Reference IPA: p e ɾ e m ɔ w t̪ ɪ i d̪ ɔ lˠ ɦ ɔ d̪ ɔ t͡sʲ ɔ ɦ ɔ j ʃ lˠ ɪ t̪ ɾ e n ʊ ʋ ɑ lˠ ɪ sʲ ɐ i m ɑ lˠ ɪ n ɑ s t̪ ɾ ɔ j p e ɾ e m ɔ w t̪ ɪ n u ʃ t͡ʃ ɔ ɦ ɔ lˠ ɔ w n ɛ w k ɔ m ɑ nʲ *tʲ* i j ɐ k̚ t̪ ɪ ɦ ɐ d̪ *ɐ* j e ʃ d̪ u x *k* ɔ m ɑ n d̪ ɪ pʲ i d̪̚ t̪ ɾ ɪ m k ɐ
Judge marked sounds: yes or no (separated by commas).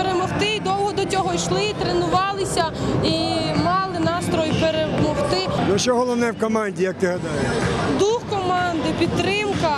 no, no, yes